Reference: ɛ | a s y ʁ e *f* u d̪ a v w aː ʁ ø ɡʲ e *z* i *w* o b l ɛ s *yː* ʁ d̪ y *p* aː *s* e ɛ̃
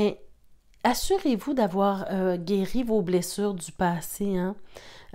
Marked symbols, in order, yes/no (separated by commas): no, no, no, yes, yes, yes